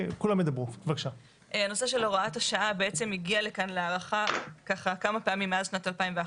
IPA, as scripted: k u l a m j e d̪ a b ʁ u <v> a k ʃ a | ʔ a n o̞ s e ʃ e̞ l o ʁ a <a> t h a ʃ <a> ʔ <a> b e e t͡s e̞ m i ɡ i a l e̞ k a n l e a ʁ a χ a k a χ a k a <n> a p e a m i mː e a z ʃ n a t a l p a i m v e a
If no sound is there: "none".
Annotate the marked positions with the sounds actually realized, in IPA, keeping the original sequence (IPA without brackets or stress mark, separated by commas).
v, a, a, a, m